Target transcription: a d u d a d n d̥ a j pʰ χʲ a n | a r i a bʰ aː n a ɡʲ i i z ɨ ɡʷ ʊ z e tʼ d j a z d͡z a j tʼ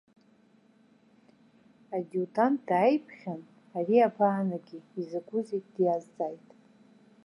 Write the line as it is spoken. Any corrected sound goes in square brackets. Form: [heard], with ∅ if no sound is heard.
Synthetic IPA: a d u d a [∅] n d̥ a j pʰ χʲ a n | a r i a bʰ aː n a ɡʲ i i z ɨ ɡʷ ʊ z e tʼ d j a z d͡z a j tʼ